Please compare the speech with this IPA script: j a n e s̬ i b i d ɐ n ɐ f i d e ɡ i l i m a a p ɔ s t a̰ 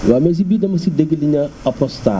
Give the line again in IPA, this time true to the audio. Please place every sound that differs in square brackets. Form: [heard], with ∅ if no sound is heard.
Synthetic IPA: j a [m] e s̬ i b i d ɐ [m] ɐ [s] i d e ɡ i l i [ɲ] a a p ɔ s t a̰